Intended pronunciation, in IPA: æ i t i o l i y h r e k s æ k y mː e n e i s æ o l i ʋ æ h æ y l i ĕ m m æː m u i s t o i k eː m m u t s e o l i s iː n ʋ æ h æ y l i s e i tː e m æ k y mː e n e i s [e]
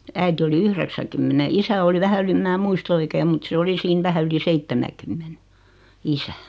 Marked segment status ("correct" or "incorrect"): incorrect